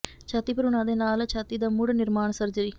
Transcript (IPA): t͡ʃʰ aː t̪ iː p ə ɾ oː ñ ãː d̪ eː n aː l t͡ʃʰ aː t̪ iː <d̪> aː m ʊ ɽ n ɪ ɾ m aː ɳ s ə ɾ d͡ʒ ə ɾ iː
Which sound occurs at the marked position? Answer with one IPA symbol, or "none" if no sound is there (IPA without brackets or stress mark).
d̪